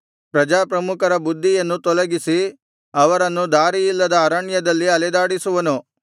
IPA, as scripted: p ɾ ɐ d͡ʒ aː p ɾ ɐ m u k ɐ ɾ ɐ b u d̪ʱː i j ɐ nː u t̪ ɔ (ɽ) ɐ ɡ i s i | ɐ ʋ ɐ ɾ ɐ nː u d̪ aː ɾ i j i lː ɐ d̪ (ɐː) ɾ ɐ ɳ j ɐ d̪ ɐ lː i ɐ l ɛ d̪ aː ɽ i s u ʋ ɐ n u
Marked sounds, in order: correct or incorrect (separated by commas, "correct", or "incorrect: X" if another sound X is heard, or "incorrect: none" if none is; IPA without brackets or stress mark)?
incorrect: l, correct